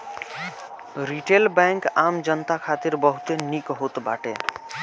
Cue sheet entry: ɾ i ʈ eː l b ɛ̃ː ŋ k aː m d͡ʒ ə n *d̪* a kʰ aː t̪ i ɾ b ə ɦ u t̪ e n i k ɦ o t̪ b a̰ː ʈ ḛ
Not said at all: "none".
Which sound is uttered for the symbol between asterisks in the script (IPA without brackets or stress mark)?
t̪